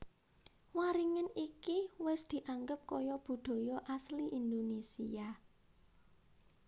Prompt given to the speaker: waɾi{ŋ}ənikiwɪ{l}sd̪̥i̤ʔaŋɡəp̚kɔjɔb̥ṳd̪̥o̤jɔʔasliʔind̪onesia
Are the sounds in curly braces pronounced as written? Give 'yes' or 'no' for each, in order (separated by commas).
yes, no